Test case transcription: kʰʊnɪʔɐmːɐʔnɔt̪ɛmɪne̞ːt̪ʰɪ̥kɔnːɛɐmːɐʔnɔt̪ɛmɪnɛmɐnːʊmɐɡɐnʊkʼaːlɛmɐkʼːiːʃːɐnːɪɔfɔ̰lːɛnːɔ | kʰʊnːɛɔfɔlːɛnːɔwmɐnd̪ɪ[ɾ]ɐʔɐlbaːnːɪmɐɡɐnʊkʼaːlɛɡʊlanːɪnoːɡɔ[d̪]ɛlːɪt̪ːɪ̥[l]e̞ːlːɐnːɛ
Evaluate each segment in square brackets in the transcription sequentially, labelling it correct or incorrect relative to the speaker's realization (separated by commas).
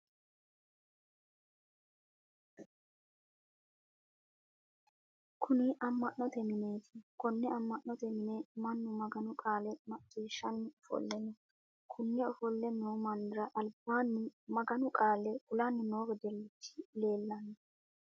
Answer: correct, correct, correct